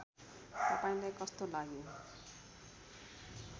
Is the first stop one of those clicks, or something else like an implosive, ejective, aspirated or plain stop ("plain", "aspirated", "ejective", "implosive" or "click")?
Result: plain